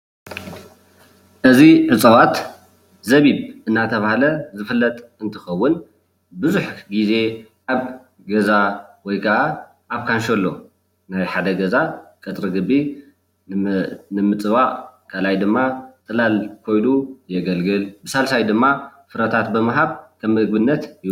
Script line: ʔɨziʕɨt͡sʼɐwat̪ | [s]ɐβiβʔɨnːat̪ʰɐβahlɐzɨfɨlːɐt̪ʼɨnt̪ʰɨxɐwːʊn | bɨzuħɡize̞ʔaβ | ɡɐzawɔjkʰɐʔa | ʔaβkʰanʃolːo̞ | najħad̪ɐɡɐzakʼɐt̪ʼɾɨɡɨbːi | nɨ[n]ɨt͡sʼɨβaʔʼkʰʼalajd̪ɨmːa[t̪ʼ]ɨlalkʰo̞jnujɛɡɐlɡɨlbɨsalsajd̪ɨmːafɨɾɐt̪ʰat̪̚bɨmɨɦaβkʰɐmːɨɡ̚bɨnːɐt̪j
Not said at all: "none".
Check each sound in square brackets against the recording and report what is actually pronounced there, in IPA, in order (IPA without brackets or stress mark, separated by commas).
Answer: z, m, t̪ʼ